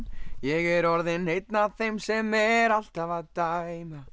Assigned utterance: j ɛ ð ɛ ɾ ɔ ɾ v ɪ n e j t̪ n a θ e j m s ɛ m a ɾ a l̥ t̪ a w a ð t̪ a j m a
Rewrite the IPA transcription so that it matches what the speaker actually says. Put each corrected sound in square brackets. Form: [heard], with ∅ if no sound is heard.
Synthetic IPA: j ɛ [ɣ] ɛ ɾ ɔ ɾ [ð] ɪ n e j t̪ n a θ e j m s ɛ m [ɛ] ɾ a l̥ t̪ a [v] a ð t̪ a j m a